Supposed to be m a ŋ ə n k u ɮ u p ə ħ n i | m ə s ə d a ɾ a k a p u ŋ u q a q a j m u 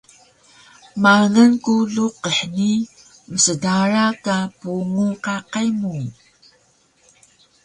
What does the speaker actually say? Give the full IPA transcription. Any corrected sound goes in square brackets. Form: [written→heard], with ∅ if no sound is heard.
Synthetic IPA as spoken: m a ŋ ə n k u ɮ u [p→q] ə ħ n i | m ə s ə d a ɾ a k a p u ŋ u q a q a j m u